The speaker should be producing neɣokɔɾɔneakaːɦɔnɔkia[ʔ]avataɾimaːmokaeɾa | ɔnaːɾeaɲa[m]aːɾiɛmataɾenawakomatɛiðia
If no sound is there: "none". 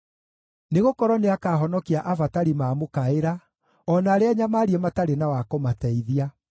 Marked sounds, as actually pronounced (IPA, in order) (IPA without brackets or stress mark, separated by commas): ʔ, m